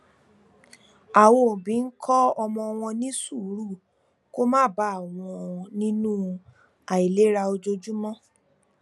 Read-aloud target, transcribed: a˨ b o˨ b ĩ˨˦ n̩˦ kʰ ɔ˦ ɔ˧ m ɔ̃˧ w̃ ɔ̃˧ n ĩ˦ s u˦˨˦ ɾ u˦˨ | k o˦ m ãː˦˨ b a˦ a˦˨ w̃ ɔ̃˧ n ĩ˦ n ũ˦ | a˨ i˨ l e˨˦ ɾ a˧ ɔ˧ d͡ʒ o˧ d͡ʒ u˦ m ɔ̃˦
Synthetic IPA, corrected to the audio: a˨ w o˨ b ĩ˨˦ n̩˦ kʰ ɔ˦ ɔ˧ m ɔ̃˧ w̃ ɔ̃˧ n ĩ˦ s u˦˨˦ ɾ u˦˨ | k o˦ m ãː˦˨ b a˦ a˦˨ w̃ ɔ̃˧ n ĩ˦ n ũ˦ | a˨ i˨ l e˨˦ ɾ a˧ o˧ d͡ʒ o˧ d͡ʒ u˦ m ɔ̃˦